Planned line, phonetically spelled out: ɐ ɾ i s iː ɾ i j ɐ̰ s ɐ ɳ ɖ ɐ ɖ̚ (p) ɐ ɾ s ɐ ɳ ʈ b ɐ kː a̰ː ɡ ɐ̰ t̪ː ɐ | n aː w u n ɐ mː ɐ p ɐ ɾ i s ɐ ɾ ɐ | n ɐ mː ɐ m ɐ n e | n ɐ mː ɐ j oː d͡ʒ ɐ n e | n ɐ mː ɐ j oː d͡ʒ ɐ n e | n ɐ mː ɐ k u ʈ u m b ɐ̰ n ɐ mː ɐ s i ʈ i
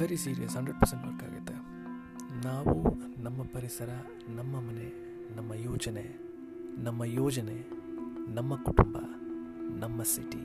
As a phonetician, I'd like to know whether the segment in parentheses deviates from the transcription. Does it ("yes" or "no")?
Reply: no